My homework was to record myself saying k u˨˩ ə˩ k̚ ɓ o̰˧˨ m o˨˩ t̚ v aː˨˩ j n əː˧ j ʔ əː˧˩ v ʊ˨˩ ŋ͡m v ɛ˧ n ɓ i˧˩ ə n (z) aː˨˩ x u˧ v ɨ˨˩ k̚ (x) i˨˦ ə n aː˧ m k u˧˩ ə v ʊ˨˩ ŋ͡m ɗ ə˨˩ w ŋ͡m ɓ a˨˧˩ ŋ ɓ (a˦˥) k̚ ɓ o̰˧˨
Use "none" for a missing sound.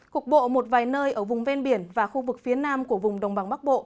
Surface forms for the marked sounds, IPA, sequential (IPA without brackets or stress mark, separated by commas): v, f, a˦˥